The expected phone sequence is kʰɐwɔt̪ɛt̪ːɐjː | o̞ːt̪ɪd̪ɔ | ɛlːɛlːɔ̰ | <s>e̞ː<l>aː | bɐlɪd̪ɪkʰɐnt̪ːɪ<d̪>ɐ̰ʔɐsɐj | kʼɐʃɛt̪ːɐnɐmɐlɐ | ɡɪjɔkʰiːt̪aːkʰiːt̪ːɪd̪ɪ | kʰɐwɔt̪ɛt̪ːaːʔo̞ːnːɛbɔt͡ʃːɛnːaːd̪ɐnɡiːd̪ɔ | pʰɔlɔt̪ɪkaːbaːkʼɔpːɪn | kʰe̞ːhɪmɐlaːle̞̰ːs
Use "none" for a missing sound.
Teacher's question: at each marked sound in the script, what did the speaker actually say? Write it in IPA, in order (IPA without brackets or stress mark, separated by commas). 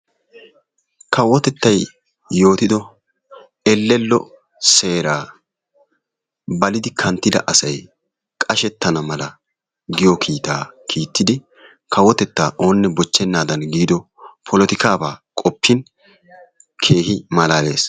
s, ɾ, d̪